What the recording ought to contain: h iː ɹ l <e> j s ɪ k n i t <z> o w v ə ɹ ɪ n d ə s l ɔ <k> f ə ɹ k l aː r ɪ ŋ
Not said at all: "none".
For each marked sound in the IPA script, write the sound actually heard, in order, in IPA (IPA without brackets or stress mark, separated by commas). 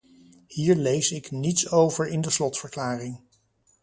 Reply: e, s, t